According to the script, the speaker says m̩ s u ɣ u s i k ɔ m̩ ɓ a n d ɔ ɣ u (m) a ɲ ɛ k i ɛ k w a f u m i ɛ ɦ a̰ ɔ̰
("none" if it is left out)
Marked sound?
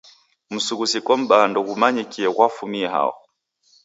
m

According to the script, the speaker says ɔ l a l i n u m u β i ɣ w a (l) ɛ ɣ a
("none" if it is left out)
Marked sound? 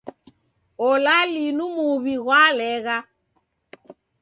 l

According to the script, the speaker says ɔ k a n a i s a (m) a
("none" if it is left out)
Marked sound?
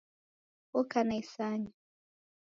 ɲ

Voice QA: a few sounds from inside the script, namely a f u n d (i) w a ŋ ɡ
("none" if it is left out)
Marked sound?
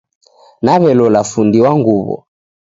i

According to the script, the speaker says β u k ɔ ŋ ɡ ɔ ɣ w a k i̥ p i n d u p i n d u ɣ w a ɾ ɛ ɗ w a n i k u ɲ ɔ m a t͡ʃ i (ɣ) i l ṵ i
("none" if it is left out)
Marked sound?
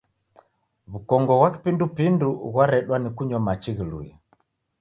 ɣ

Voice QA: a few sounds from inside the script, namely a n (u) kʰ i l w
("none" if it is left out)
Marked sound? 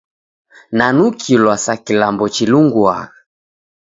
u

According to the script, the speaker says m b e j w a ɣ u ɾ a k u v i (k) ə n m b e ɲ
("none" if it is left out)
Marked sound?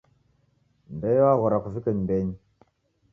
k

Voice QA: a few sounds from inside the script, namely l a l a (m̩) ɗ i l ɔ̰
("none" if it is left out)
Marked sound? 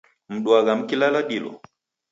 none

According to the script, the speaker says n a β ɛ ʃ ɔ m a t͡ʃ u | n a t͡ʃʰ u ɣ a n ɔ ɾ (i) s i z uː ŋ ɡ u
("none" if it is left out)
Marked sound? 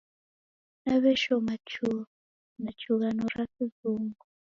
a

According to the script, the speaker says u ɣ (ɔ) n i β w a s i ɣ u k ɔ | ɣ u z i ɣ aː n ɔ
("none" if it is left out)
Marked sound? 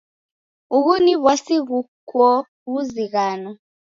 u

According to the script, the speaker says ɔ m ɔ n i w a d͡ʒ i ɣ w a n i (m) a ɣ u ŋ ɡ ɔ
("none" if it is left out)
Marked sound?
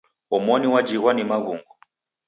m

